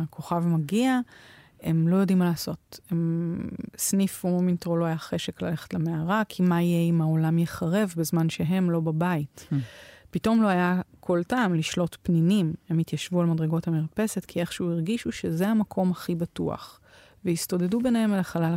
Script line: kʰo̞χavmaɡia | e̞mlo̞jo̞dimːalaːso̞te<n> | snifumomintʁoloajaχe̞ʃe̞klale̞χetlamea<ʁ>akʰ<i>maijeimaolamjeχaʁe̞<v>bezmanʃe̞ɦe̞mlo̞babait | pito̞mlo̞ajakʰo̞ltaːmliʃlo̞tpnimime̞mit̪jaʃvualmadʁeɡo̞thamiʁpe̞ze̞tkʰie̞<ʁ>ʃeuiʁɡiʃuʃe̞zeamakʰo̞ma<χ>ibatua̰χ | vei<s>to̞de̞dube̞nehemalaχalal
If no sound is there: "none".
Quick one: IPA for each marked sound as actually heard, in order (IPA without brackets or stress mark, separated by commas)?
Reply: m, ʁ, i, v, χ, χ, s